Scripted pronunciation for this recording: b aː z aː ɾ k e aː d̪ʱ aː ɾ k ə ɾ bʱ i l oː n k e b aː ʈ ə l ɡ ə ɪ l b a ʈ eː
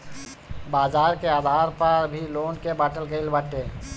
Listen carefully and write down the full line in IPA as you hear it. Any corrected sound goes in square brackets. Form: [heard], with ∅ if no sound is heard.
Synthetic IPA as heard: b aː z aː ɾ k e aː d̪ʱ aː ɾ [p] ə ɾ bʱ i l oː n k e b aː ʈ ə l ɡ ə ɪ l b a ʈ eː